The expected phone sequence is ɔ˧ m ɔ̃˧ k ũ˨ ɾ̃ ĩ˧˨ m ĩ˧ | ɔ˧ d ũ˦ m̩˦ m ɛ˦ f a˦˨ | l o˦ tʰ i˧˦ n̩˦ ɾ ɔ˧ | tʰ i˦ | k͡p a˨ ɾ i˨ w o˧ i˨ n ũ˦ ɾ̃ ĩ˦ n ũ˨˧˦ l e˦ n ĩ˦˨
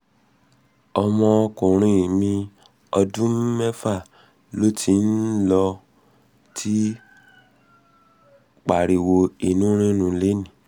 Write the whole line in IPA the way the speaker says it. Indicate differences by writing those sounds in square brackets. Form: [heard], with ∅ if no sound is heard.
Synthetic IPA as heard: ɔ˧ m ɔ̃˧ k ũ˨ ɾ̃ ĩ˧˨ m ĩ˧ | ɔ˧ d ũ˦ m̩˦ m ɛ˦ f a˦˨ | l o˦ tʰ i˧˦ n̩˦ [l] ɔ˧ | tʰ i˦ | k͡p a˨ ɾ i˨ w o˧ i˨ n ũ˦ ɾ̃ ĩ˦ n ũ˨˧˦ l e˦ n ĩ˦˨